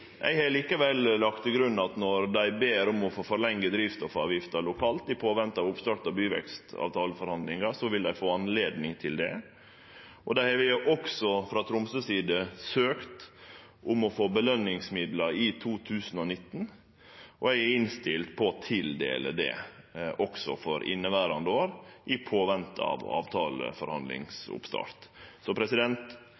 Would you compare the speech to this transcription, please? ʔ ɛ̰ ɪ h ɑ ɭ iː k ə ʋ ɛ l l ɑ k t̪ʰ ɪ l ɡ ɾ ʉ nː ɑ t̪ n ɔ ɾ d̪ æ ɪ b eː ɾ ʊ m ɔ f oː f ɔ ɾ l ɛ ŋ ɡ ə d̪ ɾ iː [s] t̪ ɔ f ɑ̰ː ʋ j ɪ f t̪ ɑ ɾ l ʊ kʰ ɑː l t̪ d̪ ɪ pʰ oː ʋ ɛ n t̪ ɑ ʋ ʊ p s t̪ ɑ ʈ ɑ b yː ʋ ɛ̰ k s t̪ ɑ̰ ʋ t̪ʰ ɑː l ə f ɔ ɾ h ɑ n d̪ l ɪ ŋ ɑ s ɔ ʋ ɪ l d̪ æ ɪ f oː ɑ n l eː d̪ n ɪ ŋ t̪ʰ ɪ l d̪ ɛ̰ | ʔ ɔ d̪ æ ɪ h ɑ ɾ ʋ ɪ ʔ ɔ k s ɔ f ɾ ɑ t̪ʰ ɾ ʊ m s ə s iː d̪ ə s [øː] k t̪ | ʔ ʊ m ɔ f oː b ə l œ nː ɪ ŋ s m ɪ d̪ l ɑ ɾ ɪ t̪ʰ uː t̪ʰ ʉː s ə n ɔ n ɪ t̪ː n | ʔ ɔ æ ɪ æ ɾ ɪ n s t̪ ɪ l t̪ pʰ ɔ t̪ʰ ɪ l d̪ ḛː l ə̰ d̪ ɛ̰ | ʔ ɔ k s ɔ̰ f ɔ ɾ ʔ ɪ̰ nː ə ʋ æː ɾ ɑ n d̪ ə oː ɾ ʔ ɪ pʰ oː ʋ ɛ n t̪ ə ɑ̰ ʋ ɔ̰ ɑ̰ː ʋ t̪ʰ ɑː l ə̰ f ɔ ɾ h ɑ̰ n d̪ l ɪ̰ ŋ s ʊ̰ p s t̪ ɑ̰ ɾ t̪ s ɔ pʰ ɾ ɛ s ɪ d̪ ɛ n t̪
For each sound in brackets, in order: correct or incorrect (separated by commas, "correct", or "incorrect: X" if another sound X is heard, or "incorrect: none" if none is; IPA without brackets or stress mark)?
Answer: incorrect: f, correct